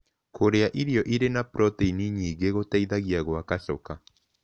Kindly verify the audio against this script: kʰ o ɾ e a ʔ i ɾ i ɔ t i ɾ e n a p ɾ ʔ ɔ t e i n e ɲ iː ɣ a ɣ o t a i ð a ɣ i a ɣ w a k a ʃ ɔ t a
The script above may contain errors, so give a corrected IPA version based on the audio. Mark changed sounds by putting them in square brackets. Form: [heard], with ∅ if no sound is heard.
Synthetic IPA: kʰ o ɾ e a ʔ i ɾ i ɔ [ʔ] i ɾ e n a p ɾ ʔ ɔ t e i n [i] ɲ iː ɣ [e] ɣ o t a i ð a ɣ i a ɣ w a k a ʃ ɔ [k] a

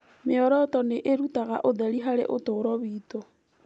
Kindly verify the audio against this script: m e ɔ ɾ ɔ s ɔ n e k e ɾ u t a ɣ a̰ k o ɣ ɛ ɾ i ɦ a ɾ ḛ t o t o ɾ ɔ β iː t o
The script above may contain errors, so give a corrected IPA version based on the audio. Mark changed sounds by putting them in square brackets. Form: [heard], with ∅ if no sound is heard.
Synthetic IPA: m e ɔ ɾ ɔ [t] ɔ n e [ʔ] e ɾ u t a ɣ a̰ [ʔ] o [ð] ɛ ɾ i ɦ a ɾ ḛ [ʔ] o t o ɾ ɔ β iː t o

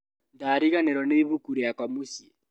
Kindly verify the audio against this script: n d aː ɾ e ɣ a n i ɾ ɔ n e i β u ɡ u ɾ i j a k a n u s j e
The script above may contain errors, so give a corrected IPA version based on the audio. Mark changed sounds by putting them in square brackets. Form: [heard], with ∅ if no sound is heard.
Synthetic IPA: n d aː ɾ [i] ɣ a n [e] ɾ ɔ n e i β u [k] u ɾ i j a k a [m] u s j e

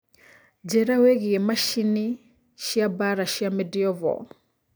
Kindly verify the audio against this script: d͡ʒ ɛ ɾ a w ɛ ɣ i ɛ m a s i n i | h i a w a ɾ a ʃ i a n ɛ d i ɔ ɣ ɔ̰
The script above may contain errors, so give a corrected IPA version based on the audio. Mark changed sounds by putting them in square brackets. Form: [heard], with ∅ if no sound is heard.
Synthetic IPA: d͡ʒ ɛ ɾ a w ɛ ɣ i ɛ m a [ʃ] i n i | [ʃ] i a [b] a ɾ a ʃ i a [m] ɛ d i ɔ [v] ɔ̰

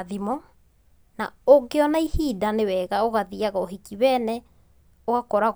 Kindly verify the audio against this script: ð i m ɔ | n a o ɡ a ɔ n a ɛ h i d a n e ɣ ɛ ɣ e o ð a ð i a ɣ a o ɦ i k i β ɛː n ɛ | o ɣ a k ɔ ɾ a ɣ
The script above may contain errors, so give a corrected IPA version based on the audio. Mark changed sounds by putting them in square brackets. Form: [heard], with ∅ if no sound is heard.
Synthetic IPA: ð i m ɔ | n a o ɡ [e] ɔ n a [i] h i d a n e [w] ɛ ɣ [a] o [ɣ] a ð i a ɣ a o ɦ i k i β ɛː n ɛ | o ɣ a k ɔ ɾ a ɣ

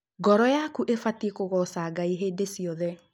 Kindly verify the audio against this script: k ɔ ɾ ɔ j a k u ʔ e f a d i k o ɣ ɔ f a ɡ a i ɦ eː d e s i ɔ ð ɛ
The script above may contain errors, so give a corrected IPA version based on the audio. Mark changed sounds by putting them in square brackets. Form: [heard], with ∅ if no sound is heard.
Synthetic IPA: [ɡ] ɔ ɾ ɔ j a k u ʔ e f a [t] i k o ɣ ɔ [s] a ɡ a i ɦ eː d e s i ɔ ð ɛ

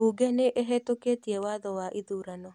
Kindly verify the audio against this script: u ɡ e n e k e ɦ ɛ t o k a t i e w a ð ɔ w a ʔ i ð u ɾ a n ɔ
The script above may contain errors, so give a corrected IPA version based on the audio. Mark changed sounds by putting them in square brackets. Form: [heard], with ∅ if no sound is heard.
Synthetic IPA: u ɡ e n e [ʔ] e ɦ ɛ t o k [e] t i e w a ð ɔ w a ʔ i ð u ɾ a n ɔ

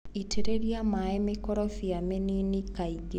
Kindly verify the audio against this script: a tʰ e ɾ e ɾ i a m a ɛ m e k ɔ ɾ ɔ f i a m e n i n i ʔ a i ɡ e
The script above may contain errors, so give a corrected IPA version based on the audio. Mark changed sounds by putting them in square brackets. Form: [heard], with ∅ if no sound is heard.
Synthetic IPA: [i] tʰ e ɾ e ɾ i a m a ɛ m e k ɔ ɾ ɔ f i a m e n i n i [k] a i ɡ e

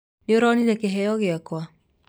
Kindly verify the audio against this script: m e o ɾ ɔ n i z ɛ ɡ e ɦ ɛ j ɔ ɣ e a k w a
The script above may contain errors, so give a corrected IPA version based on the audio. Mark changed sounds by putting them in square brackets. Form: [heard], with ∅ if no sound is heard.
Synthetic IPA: [n] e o ɾ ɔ n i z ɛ [k] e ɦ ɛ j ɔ ɣ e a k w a

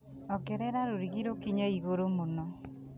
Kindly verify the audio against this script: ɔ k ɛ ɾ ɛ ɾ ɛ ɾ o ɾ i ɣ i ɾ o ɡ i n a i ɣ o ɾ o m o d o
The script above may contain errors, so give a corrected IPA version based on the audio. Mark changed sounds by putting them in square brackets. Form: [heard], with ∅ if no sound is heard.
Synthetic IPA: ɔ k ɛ ɾ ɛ ɾ [a] ɾ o ɾ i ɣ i ɾ o [k] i [ɲ] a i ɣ o ɾ o m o [n] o

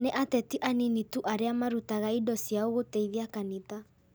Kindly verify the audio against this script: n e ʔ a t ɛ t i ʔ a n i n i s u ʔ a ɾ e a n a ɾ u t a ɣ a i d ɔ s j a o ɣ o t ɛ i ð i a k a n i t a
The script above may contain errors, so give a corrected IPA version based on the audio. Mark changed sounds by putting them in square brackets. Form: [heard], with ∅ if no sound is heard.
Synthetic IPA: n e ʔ a t ɛ t i ʔ a n i n i [t] u ʔ a ɾ e a [m] a ɾ u t a ɣ a i d ɔ s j a o ɣ o t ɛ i ð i a k a n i t a

